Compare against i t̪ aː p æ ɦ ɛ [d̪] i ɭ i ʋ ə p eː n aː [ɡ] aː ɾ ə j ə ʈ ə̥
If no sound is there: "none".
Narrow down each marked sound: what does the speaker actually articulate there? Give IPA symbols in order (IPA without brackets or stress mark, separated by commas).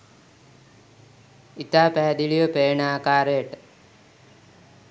d̪, k